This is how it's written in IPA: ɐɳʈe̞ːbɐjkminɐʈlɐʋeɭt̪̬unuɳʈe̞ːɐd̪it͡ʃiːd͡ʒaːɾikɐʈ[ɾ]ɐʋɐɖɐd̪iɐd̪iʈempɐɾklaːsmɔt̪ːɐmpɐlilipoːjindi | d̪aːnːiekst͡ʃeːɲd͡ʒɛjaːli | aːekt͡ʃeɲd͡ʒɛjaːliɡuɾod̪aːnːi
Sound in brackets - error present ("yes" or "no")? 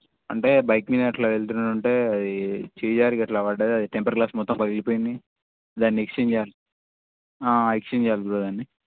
yes